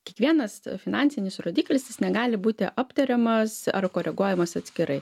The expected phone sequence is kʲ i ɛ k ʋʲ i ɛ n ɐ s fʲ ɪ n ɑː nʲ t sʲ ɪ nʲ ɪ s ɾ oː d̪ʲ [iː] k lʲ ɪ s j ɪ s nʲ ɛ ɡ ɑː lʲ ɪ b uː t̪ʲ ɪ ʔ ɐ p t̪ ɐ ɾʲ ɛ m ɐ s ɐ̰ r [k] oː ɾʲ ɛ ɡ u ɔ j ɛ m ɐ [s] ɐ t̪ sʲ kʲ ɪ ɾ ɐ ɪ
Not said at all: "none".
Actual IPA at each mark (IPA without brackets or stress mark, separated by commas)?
iː, k, s